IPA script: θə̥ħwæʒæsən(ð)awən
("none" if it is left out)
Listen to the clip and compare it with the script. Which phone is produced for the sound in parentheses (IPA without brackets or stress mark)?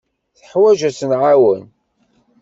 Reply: ʕ